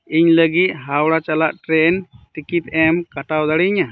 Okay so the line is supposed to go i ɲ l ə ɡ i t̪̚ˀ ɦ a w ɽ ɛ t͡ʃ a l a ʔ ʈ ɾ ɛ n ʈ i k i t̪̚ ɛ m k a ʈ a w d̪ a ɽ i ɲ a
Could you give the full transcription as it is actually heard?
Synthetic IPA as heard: i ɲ l ə ɡ i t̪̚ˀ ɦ a w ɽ a t͡ʃ a l a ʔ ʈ ɾ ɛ n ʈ i k i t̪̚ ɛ m k a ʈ a w d̪ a ɽ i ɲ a